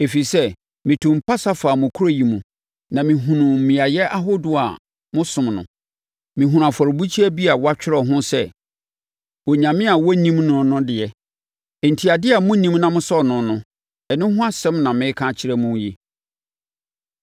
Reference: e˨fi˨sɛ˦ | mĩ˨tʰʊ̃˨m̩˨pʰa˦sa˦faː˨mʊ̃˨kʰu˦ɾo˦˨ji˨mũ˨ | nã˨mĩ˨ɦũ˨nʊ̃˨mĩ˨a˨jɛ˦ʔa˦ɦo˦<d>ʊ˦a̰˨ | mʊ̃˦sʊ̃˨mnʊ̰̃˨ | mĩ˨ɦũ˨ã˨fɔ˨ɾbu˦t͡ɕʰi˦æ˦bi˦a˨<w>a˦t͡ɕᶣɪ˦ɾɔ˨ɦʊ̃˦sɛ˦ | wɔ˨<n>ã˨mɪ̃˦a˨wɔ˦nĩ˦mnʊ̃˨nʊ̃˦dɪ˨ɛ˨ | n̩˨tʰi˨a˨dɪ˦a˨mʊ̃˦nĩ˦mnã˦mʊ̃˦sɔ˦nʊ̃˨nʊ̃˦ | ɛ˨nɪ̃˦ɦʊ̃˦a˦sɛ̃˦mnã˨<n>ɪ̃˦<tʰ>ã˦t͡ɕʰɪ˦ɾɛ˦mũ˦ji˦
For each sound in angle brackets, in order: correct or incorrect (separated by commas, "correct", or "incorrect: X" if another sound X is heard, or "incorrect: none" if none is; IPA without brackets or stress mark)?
correct, correct, incorrect: ɲ, incorrect: m, incorrect: kʰ